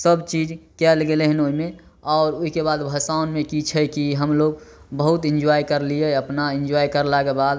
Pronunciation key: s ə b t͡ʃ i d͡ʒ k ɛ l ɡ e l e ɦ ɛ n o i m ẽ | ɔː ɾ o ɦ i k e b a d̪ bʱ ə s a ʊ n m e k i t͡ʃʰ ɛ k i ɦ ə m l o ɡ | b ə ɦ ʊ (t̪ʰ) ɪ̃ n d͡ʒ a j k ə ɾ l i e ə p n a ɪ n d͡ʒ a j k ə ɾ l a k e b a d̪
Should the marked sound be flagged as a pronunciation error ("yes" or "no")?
yes